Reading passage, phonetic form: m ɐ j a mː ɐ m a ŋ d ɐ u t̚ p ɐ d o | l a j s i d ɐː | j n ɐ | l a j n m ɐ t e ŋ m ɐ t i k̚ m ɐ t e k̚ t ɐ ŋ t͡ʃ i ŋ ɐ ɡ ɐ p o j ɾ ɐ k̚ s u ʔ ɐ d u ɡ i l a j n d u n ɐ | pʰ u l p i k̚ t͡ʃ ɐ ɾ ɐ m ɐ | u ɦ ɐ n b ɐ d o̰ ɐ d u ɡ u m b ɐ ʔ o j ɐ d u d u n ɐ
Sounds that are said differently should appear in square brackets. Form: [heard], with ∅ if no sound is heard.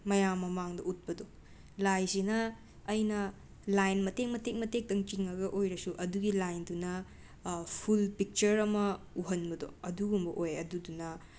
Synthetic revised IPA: m ɐ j a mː ɐ m a ŋ d ɐ u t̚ p ɐ d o | l a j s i [n] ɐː | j n ɐ | l a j n m ɐ t e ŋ m ɐ t [e] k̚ m ɐ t e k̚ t ɐ ŋ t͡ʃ i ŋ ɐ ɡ ɐ [ʔ] o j ɾ ɐ [∅] s u ʔ ɐ d u ɡ i l a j n d u n ɐ | pʰ u l p i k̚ t͡ʃ ɐ ɾ ɐ m ɐ | u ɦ ɐ n b ɐ d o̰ ɐ d u ɡ u m b ɐ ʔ o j ɐ d u d u n ɐ